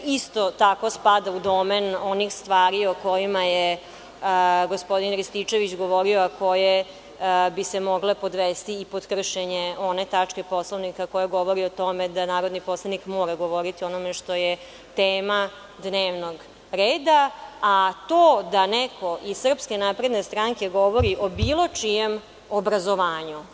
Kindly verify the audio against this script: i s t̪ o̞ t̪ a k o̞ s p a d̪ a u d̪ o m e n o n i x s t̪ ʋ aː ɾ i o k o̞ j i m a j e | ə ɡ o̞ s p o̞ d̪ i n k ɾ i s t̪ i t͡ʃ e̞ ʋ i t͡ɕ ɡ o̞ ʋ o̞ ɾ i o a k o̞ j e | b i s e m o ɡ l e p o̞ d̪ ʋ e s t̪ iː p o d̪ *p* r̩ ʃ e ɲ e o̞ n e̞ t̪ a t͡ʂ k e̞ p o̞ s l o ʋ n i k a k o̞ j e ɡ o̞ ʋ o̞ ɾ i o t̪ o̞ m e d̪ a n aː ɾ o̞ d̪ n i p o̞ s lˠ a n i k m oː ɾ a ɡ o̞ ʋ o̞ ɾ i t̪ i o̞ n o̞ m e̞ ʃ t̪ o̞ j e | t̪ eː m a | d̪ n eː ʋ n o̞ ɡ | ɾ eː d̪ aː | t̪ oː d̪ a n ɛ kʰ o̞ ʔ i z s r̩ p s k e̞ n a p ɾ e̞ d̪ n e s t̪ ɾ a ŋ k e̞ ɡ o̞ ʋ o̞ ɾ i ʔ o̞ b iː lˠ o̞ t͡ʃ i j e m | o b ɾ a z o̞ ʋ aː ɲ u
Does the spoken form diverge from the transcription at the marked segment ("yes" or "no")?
yes